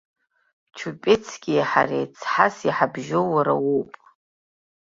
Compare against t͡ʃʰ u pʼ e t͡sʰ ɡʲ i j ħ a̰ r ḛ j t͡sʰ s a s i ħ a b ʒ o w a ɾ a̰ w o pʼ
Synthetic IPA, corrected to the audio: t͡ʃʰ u pʼ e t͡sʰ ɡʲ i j ħ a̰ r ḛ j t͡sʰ ħ a s i ħ a b ʒ o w a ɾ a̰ w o pʼ